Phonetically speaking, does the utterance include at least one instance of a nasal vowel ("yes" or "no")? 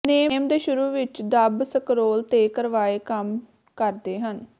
no